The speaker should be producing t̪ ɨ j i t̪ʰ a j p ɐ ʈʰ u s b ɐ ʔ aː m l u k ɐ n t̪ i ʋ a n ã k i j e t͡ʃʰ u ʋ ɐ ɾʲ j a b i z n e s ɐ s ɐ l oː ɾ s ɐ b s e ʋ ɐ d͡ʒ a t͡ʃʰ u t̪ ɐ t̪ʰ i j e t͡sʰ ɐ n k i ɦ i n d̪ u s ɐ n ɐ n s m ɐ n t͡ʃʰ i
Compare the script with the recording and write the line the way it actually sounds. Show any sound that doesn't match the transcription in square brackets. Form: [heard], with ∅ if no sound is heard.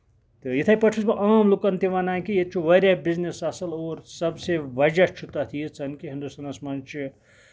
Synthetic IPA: t̪ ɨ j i t̪ʰ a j p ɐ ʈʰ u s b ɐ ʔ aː m l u k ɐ n t̪ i ʋ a n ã k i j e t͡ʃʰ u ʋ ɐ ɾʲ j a b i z n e s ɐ s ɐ l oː ɾ s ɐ b s e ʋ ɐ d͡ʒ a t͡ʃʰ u t̪ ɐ t̪ʰ i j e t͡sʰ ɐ n k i ɦ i n d̪ u s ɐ n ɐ [∅] s m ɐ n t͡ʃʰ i